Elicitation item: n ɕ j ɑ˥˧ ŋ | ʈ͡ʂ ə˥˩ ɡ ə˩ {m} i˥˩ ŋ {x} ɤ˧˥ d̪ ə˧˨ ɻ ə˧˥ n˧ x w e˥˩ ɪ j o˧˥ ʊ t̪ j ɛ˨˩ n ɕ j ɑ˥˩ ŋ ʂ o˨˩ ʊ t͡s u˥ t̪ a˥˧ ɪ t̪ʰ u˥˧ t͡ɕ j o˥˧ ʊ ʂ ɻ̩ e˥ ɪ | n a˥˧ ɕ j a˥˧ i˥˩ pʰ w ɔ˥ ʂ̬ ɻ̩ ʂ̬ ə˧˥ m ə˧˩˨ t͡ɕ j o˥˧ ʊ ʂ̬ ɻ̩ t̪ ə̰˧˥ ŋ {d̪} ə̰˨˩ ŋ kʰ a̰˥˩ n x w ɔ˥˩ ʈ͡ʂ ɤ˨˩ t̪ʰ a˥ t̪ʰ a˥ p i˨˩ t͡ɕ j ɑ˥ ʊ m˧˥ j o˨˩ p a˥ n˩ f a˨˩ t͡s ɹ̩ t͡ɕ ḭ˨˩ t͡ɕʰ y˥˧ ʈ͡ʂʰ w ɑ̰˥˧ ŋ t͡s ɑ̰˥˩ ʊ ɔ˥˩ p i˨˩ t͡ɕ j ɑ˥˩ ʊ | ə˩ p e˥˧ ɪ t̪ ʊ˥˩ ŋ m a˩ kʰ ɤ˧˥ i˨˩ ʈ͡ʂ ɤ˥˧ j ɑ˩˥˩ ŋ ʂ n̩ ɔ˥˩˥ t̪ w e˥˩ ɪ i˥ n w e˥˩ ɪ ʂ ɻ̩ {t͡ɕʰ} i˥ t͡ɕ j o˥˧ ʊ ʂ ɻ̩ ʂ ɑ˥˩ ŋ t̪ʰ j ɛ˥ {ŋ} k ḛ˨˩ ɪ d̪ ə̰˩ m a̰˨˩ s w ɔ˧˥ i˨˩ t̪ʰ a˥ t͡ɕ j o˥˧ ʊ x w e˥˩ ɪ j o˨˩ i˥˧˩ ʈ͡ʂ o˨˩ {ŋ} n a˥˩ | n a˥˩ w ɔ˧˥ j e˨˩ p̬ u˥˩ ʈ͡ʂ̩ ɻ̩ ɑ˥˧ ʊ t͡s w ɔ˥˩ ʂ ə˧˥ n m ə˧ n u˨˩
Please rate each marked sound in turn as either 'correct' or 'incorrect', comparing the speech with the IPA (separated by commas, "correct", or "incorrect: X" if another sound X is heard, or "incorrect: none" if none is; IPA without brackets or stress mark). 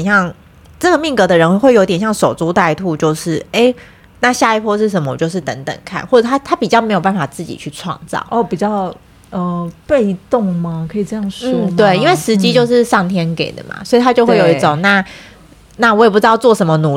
correct, incorrect: k, incorrect: t̪, incorrect: t͡ɕ, incorrect: n, correct